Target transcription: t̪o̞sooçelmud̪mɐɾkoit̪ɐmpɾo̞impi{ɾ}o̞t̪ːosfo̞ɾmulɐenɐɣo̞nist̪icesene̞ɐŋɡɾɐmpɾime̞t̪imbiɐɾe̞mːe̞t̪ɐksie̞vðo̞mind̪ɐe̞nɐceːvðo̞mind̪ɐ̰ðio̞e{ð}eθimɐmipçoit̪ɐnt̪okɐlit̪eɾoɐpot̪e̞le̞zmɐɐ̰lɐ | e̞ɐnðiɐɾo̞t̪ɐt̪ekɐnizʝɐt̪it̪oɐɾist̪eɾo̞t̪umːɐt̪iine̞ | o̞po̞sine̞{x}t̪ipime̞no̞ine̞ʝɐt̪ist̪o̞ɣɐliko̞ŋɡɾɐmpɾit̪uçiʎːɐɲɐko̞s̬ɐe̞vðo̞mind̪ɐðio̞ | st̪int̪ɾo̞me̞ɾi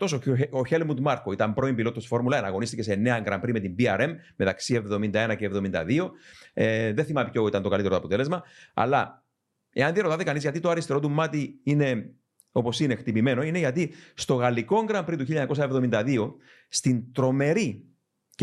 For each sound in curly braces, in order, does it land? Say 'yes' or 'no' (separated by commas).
no, yes, yes